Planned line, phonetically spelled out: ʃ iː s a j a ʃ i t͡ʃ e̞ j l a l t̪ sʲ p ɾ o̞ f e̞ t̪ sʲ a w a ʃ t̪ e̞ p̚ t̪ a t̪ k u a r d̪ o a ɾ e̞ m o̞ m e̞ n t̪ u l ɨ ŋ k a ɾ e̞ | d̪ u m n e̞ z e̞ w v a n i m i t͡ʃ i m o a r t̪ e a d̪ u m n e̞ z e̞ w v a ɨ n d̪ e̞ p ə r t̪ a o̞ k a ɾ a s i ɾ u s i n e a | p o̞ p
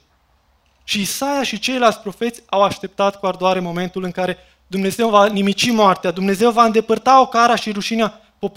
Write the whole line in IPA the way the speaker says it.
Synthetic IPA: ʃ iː s a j a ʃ i t͡ʃ e̞ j l a l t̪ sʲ p ɾ o̞ f e̞ t̪ sʲ a w a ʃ t̪ e̞ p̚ t̪ a t̪ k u a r d̪ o a ɾ e̞ m o̞ m e̞ n t̪ u l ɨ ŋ k a ɾ e̞ | d̪ u m n e̞ z e̞ w v a n i m i t͡ʃ i m o a r t̪ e a d̪ u m n e̞ z e̞ w v a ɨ n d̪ e̞ p ə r t̪ a o̞ k a ɾ a ʃ i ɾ u ʃ i n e a | p o̞ p